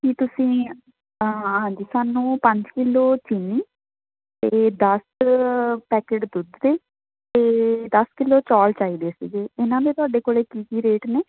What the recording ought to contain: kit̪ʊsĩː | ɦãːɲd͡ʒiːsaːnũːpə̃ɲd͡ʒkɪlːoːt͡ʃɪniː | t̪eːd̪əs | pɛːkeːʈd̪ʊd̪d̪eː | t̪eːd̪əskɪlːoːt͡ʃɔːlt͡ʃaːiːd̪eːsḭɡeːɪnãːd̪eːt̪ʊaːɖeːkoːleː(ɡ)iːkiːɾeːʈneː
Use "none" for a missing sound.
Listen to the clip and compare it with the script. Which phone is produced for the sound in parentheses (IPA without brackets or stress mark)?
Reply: k